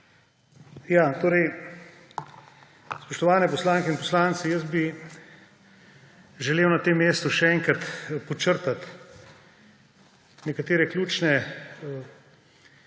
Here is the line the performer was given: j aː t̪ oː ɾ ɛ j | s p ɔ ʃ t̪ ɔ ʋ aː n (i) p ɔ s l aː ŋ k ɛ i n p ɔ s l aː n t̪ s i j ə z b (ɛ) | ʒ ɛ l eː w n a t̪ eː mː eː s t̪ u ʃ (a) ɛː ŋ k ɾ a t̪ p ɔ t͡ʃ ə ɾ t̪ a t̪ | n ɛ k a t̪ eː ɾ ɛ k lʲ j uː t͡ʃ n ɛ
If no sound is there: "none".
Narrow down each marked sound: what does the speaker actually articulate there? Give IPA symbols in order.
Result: ɛ, i, ɛ

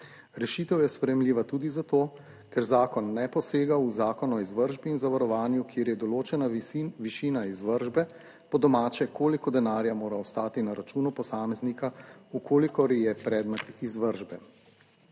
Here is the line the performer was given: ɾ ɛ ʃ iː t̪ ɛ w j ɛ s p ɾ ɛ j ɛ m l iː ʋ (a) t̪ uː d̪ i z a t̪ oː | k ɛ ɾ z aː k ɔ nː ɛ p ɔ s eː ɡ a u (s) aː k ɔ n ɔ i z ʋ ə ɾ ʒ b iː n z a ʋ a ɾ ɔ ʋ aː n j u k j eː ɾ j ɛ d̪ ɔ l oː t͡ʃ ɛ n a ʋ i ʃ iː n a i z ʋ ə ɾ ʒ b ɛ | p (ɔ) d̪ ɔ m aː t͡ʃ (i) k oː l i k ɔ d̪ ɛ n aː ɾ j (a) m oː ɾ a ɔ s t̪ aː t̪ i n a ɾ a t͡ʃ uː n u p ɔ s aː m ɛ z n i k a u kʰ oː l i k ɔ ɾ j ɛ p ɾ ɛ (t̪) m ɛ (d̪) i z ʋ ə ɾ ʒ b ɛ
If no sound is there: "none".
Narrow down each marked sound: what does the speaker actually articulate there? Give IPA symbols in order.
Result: a, z, ɔ, ɛ, a, d̪, t̪

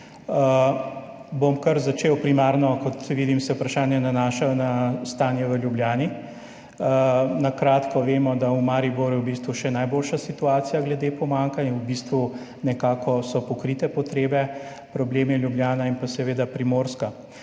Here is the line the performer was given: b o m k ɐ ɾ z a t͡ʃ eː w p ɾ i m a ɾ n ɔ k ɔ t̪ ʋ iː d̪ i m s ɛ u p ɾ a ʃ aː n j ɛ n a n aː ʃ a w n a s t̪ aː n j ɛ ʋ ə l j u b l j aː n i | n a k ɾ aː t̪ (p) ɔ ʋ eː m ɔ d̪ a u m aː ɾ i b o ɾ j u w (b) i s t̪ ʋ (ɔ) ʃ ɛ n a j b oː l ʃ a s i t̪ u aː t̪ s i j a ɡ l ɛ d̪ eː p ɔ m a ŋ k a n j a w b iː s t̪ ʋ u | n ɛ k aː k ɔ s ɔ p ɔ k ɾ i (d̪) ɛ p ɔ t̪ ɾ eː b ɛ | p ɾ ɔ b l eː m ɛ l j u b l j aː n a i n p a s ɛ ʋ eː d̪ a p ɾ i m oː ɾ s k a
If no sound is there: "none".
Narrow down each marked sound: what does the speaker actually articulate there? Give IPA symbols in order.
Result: k, b, u, t̪

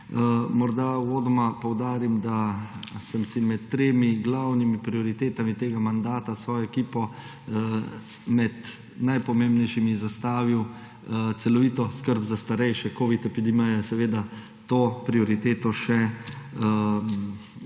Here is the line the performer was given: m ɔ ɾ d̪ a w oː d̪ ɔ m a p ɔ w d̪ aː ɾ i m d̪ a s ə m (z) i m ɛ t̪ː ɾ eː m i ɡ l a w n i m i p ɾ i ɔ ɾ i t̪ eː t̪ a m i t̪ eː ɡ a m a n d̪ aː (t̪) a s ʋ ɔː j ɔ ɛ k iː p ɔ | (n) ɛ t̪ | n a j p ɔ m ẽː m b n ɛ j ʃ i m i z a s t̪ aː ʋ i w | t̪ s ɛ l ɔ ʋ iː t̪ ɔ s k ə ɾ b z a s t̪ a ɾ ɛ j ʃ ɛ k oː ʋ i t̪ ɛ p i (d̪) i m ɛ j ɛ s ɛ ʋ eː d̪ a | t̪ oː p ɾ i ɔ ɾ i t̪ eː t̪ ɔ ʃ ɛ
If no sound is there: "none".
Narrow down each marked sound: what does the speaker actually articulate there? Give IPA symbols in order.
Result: s, t̪, m, d̪

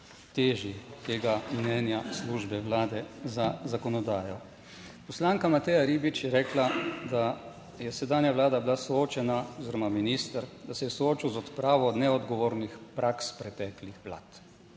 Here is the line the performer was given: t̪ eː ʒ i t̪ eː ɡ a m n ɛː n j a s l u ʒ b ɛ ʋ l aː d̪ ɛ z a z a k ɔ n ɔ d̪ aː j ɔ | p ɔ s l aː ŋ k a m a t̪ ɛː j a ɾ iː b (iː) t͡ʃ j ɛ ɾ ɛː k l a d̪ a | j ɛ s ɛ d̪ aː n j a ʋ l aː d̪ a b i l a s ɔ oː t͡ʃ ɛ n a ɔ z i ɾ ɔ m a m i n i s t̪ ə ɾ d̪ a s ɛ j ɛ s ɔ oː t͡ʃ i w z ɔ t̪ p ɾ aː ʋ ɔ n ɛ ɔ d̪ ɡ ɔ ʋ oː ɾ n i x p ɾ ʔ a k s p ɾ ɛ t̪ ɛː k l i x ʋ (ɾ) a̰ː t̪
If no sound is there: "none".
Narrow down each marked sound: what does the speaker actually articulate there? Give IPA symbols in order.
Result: i, l

